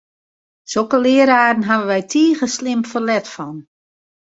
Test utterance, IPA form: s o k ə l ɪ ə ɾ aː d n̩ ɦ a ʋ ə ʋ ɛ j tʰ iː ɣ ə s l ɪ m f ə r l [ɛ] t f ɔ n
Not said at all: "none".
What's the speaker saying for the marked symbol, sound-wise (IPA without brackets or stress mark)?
ɛ